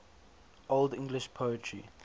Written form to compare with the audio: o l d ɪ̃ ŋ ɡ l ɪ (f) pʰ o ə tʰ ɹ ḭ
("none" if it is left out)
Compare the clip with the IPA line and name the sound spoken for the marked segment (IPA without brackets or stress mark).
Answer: ʃ